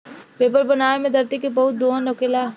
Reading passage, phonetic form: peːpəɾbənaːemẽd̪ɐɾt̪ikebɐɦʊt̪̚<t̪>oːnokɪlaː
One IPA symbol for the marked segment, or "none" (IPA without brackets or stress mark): d̪